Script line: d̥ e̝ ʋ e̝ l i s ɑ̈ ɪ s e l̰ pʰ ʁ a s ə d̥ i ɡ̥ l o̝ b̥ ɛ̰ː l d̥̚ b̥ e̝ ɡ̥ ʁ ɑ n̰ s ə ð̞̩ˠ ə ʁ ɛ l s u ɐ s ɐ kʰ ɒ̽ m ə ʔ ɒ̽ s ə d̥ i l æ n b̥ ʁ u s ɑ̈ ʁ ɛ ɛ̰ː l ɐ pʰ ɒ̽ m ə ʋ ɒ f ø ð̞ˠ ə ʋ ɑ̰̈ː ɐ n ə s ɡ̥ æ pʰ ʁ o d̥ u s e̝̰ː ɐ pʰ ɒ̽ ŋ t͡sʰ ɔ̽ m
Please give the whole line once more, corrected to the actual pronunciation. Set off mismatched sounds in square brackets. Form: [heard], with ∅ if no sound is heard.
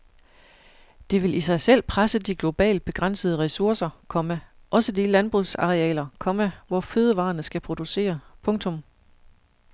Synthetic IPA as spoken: d̥ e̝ ʋ e̝ l i s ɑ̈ ɪ s e l̰ pʰ ʁ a s ə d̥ i ɡ̥ l o̝ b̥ ɛ̰ː l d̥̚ b̥ e̝ ɡ̥ ʁ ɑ n̰ s ə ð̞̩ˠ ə ʁ ɛ [∅] s u ɐ s ɐ kʰ ɒ̽ m ə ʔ ɒ̽ s ə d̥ i l æ n b̥ ʁ u s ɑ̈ ʁ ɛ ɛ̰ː l ɐ [kʰ] ɒ̽ m ə ʋ ɒ f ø ð̞ˠ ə ʋ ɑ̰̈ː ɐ n ə s ɡ̥ æ pʰ ʁ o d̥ u s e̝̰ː ɐ pʰ [ɔ̽] ŋ t͡sʰ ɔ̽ m